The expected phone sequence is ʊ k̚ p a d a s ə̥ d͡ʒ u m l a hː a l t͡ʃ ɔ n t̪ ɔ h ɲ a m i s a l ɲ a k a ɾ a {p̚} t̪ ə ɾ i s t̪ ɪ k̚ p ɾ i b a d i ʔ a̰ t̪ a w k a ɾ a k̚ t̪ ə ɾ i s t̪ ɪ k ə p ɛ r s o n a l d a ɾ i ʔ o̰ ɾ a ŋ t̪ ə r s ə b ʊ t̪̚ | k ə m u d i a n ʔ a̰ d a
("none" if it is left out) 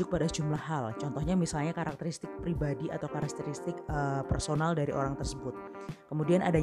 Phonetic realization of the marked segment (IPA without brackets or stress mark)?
k̚